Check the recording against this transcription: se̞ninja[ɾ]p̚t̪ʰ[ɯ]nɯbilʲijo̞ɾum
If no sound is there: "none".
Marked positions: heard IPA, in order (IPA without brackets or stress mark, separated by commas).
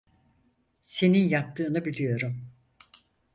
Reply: none, ɯː